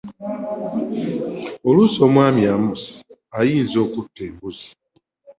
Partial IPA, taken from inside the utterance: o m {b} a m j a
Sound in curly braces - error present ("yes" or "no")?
yes